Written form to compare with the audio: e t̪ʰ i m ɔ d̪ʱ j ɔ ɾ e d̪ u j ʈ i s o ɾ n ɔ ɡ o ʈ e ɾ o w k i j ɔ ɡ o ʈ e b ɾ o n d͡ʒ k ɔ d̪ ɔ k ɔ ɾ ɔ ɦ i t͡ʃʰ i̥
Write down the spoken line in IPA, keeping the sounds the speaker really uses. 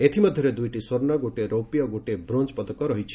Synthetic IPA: e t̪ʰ i m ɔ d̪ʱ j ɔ ɾ e d̪ u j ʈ i s o ɾ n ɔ ɡ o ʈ e ɾ o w p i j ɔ ɡ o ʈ e b ɾ o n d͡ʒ p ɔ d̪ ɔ k ɔ ɾ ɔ ɦ i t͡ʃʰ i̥